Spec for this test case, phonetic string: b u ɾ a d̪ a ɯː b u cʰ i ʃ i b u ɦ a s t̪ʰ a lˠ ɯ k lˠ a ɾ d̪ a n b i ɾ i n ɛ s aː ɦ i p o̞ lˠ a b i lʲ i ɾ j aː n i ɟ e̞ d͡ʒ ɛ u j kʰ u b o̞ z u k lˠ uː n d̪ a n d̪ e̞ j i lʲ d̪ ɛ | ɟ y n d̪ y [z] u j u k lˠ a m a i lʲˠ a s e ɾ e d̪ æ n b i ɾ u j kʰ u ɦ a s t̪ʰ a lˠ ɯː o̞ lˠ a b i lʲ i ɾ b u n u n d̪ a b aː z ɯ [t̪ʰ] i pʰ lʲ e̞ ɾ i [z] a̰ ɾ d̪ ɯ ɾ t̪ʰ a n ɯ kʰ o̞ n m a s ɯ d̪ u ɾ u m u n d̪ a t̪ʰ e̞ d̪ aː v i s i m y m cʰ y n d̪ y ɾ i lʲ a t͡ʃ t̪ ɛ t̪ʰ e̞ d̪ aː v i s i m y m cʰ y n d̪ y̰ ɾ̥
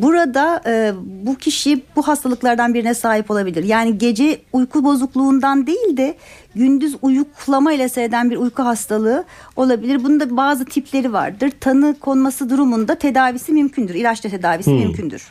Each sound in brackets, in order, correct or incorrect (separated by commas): correct, correct, incorrect